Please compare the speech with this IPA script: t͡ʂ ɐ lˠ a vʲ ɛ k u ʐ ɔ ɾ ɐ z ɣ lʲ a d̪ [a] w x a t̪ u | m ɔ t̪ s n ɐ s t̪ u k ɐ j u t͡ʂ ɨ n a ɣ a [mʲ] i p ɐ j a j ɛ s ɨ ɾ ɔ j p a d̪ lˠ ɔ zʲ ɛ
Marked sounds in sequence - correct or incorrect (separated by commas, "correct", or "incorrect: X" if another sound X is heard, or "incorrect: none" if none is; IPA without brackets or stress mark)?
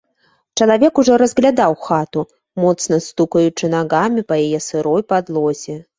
correct, correct